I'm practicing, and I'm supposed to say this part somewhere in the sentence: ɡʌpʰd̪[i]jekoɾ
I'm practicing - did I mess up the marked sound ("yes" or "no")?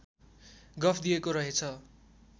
no